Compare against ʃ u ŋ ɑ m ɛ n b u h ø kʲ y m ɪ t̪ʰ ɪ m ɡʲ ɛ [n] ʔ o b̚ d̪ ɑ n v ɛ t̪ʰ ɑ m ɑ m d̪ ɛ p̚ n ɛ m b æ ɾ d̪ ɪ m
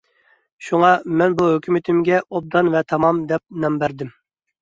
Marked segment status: incorrect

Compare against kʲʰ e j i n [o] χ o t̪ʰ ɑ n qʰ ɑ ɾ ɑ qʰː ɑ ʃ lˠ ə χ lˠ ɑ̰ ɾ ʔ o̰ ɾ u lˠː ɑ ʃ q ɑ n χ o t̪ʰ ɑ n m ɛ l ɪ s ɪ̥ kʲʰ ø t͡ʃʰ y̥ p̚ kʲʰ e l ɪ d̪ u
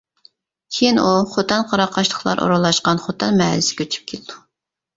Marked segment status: incorrect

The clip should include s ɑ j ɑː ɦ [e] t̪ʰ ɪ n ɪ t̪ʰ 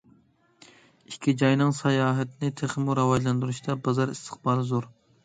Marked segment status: incorrect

